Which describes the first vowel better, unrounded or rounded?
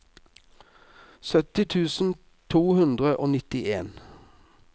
rounded